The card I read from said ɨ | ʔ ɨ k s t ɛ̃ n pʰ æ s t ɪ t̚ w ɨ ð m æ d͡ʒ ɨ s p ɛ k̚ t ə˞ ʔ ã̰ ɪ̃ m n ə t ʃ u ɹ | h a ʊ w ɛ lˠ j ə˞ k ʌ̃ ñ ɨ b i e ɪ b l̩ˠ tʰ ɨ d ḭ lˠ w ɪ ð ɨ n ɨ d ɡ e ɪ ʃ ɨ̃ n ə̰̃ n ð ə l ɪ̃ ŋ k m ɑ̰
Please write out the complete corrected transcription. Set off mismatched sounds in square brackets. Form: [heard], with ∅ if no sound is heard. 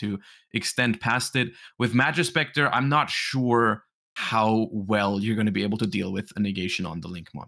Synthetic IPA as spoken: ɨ | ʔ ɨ k s t ɛ̃ n pʰ æ s t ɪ t̚ w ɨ ð m æ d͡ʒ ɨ s p ɛ k̚ t ə˞ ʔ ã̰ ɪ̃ m n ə t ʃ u ɹ | h a ʊ w ɛ lˠ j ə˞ [ɡ] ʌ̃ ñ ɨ b i e ɪ b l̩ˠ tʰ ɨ d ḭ lˠ w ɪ ð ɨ n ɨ [∅] ɡ e ɪ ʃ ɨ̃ n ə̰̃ n ð ə l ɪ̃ ŋ k m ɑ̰